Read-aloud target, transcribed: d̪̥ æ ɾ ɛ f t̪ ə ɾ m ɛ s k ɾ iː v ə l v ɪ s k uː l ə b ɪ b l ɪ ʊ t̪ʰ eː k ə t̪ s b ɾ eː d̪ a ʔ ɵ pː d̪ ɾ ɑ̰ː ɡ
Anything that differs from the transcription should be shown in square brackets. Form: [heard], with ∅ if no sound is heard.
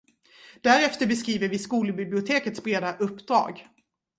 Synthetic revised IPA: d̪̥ æ ɾ ɛ f t̪ ə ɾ [b] ɛ s k ɾ iː v ə [ɾ] v ɪ s k uː l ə b ɪ b l ɪ ʊ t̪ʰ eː k ə t̪ s b ɾ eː d̪ a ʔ ɵ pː d̪ ɾ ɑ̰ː ɡ